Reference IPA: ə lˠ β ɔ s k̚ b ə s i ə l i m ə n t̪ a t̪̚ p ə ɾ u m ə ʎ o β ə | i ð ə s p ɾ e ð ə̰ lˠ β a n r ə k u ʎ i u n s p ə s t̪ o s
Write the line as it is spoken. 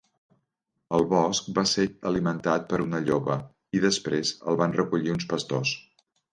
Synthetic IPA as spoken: ə lˠ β ɔ s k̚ b a s e ə l i m ə n t̪ a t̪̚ p ə ɾ u n ə ʎ o β ə | i ð ə s p ɾ e z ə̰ lˠ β a n r ə k u ʎ i u n s p ə s t̪ o s